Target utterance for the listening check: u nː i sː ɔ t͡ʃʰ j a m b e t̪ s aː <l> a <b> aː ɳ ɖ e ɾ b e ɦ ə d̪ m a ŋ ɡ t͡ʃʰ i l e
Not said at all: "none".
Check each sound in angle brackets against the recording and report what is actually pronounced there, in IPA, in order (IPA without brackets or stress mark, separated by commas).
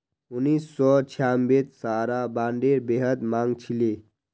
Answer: ɾ, b